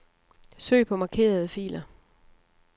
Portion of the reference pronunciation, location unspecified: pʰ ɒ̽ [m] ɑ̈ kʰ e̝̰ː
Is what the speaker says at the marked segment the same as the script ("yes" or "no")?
yes